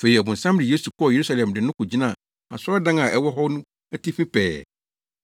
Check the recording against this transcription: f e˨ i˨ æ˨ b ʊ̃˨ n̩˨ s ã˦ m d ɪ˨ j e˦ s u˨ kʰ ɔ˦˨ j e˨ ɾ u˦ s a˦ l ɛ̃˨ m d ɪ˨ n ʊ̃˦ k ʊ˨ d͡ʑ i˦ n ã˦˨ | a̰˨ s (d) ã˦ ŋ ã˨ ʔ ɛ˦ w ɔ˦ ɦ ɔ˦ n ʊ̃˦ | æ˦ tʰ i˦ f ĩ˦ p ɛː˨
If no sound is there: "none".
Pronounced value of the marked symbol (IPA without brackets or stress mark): d